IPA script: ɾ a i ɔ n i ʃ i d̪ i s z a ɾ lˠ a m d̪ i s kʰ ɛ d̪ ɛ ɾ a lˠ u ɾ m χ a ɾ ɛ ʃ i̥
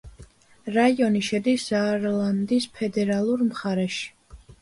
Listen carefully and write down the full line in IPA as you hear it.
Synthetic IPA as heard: ɾ a i ɔ n i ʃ ɛ d̪ i s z a ɾ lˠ a n d̪ i s pʰ ɛ d̪ ɛ ɾ a lˠ u ɾ m χ a ɾ ɛ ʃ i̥